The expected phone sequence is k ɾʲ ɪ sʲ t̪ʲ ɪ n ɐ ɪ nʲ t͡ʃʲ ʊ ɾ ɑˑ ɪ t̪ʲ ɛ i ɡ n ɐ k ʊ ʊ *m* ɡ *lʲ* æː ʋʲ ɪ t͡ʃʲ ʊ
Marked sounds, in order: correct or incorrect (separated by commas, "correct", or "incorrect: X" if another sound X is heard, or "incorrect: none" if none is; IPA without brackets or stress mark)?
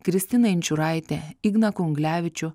incorrect: ŋ, correct